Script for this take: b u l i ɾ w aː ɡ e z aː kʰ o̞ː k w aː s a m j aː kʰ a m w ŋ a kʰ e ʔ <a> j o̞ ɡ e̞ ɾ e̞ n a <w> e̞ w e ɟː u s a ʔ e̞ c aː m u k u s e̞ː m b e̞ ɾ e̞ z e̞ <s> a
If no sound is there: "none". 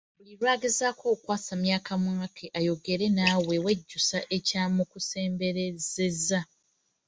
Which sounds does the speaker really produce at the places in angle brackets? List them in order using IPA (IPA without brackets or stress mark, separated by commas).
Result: a, w, z